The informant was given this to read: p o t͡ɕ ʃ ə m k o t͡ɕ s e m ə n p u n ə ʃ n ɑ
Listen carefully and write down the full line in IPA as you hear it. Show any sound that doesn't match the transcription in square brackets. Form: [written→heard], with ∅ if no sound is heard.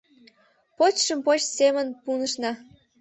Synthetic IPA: p o t͡ɕ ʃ ə m [k→p] o t͡ɕ s e m ə n p u n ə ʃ n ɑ